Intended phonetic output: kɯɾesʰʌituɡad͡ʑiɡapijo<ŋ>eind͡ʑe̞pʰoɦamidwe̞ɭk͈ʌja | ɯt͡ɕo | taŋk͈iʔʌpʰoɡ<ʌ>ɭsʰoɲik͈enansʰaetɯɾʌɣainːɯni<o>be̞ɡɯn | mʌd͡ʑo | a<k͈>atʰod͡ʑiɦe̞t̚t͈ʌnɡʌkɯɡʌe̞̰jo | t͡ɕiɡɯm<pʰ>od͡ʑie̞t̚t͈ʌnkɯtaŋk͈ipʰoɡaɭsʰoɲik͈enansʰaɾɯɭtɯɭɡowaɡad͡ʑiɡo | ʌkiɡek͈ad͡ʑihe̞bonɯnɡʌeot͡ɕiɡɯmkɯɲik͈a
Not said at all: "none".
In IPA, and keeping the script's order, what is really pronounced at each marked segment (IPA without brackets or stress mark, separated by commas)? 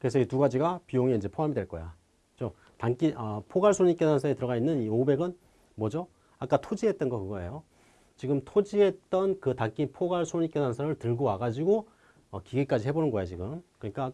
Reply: ŋ, a, o, k͈, tʰ